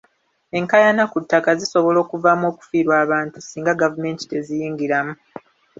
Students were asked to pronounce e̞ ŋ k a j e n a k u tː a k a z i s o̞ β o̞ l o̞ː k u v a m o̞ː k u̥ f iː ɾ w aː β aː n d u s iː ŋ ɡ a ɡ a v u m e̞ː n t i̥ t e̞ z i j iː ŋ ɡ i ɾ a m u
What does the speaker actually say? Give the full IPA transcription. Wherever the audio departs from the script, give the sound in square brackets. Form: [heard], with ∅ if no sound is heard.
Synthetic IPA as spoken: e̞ ŋ k a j [a] n a k u tː a k a z i s o̞ β o̞ l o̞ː k u v a m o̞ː k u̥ f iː ɾ w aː β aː n [t] u s iː ŋ ɡ a ɡ a v u m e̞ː n t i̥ t e̞ z i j iː ŋ ɡ i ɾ a m u